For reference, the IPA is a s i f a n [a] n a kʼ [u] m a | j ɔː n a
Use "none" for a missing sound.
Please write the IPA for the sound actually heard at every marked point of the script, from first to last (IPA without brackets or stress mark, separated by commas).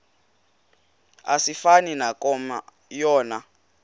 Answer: i, ɔ